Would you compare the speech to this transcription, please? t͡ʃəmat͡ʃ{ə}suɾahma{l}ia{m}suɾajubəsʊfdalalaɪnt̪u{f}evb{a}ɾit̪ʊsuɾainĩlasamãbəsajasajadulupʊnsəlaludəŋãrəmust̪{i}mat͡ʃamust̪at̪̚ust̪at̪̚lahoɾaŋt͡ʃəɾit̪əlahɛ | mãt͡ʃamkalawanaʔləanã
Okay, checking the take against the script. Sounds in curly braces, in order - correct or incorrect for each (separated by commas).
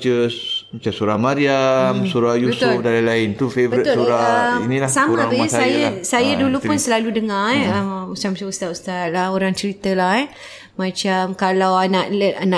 incorrect, incorrect, correct, correct, incorrect, incorrect